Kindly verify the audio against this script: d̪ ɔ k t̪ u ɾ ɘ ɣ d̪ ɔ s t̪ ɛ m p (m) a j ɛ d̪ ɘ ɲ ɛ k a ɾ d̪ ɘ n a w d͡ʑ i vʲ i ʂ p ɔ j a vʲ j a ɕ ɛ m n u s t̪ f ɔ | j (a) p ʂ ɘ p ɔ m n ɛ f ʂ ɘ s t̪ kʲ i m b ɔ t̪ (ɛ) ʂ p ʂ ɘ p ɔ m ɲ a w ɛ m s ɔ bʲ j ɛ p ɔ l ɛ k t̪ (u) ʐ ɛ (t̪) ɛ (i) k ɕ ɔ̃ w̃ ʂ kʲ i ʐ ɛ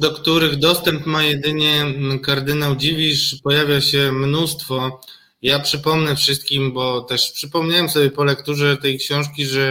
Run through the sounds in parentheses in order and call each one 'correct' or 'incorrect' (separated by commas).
correct, correct, correct, correct, correct, incorrect